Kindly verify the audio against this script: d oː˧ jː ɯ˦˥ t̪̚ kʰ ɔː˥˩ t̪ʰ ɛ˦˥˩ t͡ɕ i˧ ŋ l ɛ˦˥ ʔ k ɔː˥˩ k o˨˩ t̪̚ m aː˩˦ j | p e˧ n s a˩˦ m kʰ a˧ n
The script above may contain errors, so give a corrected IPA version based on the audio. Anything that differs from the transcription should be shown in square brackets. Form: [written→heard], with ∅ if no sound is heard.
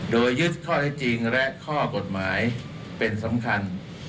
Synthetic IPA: d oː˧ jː ɯ˦˥ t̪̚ kʰ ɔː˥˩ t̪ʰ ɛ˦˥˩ t͡ɕ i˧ ŋ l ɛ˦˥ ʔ [k→kʰ] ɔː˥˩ k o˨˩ t̪̚ m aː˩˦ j | p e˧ n s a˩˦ m kʰ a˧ n